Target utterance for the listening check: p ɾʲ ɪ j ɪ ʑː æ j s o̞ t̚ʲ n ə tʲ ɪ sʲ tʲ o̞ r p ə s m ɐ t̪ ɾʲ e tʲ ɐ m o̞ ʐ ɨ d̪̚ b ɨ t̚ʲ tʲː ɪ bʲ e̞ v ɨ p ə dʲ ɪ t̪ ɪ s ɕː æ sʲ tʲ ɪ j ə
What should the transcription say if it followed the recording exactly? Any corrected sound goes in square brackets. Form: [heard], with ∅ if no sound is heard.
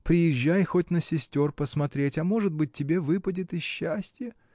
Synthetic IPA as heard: p ɾʲ ɪ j ɪ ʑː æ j [x] o̞ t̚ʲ n ə [sʲ] ɪ sʲ tʲ o̞ r p ə s m ɐ t̪ ɾʲ e tʲ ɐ m o̞ ʐ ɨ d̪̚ b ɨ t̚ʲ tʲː ɪ bʲ e̞ v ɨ p ə dʲ ɪ t̪ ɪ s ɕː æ sʲ tʲ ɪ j ə